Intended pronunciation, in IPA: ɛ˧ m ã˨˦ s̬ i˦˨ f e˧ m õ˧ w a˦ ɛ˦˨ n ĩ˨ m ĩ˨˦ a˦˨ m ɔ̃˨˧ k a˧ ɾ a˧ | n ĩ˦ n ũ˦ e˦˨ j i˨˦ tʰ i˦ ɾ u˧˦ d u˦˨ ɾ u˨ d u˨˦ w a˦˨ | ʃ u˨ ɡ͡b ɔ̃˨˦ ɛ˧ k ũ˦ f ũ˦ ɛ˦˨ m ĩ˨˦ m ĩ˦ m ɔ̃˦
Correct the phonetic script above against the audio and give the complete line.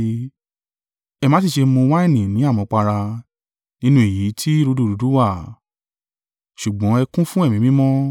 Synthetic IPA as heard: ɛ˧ m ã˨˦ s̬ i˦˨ ʃ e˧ m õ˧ w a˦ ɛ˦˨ n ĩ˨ n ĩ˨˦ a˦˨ m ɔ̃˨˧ k͡p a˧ ɾ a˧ | n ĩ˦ n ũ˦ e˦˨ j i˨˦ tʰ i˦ ɾ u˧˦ d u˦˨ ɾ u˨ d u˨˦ w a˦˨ | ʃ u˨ ɡ͡b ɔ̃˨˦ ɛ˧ k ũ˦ f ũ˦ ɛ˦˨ m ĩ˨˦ m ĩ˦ m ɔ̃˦